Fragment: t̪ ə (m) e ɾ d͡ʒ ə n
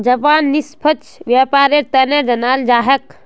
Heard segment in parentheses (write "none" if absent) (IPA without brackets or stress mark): n